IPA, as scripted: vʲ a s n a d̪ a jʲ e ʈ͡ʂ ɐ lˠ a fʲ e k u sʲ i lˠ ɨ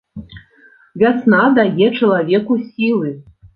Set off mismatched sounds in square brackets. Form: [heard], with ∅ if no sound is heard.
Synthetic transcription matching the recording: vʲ a s n a d̪ a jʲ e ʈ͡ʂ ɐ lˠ a [vʲ] e k u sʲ i lˠ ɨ